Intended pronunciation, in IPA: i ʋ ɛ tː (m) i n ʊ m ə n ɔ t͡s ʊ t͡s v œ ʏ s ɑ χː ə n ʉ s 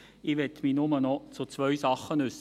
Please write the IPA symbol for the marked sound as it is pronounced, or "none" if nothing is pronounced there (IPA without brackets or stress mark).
m